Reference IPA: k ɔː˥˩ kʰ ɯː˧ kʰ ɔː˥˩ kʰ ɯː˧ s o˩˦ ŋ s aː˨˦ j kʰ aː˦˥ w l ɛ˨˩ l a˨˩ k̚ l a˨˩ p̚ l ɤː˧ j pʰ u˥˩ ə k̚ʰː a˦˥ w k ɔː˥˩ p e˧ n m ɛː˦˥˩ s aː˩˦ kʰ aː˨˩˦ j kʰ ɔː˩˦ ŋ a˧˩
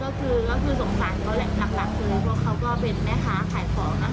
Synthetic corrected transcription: k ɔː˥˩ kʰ ɯː˧ k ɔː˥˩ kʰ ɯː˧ s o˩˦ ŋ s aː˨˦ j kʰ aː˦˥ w l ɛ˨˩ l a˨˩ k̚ l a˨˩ k̚ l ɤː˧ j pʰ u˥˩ ə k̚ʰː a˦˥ w k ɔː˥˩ p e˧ n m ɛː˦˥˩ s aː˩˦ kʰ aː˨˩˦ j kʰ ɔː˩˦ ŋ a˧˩

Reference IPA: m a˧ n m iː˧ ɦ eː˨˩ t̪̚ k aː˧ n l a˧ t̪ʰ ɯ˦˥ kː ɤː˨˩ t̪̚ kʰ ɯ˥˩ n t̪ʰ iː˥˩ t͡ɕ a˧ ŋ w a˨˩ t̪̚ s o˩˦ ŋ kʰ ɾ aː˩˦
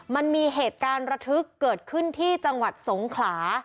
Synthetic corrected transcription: m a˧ n m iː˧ ɦ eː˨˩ t̪̚ k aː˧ n ɾ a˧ t̪ʰ ɯ˦˥ kː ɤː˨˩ t̪̚ kʰ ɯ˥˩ n t̪ʰ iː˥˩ t͡ɕ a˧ ŋ w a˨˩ t̪̚ s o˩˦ ŋ kʰ l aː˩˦

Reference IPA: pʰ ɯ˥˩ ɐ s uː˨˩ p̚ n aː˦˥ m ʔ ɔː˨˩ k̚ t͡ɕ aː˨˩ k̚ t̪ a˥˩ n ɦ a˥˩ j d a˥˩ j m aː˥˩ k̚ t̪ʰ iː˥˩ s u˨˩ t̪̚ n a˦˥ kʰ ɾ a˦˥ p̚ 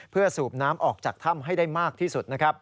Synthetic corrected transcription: pʰ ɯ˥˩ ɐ s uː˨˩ p̚ n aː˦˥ m ʔ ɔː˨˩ k̚ t͡ɕ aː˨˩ k̚ t̪ʰ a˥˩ m ɦ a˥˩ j d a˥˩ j m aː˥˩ k̚ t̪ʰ iː˥˩ s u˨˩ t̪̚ n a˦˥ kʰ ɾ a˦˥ p̚

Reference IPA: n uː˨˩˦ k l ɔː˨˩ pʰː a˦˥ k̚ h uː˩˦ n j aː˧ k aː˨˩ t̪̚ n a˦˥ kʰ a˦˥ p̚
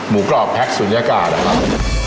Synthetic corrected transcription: m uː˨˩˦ k l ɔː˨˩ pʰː ɛ˦˥ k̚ s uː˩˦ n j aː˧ k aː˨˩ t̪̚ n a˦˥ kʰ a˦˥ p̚

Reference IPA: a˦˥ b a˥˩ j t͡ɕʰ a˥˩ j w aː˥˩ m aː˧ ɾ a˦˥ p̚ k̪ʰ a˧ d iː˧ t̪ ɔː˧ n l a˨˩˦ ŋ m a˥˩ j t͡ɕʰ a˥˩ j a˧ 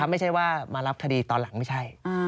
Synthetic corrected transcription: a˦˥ m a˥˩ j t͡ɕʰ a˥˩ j w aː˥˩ m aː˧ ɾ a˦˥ p̚ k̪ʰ a˧ d iː˧ t̪ ɔː˧ n l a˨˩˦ ŋ m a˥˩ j t͡ɕʰ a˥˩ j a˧

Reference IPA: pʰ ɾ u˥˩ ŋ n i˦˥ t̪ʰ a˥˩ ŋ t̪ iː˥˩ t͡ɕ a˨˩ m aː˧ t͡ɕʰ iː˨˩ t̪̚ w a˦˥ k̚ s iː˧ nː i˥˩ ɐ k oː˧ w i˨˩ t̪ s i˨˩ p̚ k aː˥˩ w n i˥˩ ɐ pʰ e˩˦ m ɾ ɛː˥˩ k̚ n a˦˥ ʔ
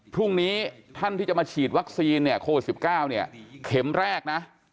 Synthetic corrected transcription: pʰ ɾ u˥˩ ŋ n iː˦˥ t̪ʰ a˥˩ n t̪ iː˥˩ t͡ɕ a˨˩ m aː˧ t͡ɕʰ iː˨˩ t̪̚ w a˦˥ k̚ s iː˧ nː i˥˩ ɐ kʰ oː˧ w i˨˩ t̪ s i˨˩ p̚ k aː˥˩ w n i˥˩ ɐ kʰ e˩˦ m ɾ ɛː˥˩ k̚ n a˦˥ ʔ

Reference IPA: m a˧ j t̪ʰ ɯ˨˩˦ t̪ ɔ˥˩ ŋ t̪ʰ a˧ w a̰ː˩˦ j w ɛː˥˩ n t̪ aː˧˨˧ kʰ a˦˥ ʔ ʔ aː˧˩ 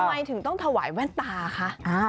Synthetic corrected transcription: m a˧ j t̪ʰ ɯ˨˩˦ t̪ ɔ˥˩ ŋ t̪ʰ a˧ w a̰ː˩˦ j w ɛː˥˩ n t̪ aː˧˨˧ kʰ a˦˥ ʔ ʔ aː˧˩

